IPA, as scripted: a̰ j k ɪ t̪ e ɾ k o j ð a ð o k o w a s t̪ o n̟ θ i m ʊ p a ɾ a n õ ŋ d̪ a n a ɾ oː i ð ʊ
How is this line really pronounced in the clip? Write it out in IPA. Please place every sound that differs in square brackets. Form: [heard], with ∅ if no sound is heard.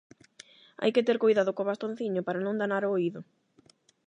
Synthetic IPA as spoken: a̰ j k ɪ t̪ e ɾ k o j ð a ð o k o [β] a s t̪ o n̟ θ i [ɲ] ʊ p a ɾ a n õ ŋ d̪ a n a ɾ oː i ð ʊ